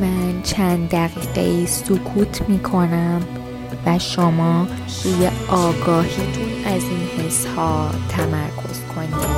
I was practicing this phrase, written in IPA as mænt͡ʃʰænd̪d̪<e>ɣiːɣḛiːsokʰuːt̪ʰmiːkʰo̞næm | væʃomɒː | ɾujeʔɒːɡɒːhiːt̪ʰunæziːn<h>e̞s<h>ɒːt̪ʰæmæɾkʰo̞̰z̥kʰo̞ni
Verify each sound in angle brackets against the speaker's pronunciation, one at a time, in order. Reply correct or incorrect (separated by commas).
incorrect, correct, correct